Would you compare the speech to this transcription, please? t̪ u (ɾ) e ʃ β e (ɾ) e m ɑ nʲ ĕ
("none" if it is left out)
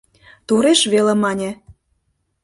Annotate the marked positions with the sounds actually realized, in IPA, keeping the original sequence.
ɾ, l

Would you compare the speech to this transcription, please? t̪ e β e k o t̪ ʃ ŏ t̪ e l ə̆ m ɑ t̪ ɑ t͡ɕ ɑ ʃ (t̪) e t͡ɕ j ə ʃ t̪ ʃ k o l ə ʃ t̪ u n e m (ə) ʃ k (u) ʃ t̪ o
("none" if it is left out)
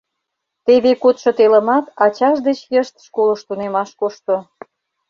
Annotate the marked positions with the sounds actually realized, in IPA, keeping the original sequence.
d̪, ɑ, o

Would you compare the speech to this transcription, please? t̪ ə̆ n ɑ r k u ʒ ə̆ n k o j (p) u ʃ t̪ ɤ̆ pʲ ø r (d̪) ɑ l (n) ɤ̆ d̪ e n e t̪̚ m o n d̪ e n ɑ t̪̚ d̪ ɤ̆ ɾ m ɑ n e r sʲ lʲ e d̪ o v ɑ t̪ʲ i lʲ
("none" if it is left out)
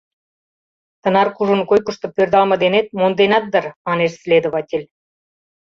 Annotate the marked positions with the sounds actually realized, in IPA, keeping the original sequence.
k, d̪, m

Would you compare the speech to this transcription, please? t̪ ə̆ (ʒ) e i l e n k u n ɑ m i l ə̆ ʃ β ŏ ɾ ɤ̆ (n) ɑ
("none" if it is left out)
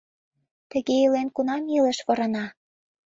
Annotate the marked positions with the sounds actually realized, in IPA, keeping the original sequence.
ɣ, n

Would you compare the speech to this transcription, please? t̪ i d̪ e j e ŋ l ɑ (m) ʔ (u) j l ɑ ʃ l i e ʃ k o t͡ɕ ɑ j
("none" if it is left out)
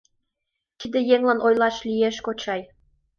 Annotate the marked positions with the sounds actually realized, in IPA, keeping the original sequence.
n, o

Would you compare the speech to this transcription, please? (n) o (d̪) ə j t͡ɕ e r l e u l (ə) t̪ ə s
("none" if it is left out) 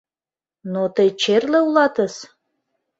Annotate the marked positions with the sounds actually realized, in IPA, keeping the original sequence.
n, t̪, ɑ

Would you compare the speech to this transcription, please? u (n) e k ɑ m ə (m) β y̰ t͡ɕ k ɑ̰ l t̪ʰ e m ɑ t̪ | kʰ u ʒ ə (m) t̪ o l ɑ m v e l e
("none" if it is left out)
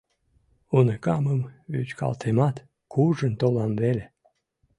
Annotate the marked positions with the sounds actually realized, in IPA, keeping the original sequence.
n, m, n

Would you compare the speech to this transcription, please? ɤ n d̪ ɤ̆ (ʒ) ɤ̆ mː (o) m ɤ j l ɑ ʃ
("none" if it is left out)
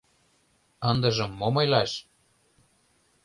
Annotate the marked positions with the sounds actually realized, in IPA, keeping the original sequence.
ʒ, o

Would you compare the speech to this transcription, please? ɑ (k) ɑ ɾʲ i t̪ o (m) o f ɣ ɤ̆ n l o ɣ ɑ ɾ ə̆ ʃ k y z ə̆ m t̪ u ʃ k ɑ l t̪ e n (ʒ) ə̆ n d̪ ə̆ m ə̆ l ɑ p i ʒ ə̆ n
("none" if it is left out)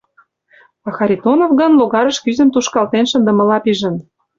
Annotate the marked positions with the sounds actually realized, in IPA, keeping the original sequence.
x, n, ʃ

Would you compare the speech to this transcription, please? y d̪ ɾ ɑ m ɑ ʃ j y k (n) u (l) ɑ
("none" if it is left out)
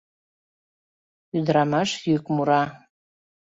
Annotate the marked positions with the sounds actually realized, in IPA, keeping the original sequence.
m, ɾ

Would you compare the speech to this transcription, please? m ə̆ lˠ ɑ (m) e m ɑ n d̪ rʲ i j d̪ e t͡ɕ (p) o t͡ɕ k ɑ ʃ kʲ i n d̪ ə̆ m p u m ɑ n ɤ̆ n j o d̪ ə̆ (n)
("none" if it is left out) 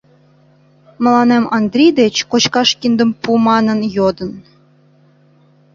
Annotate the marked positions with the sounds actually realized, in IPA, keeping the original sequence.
n, k, n

